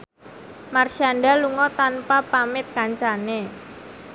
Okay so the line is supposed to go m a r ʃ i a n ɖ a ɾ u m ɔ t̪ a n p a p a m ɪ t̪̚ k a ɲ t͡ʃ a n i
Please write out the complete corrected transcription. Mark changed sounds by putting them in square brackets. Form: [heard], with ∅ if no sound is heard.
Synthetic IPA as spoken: m a r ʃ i a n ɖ a [l] u [ŋ] ɔ t̪ a n p a p a m ɪ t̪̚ k a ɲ t͡ʃ a n [e]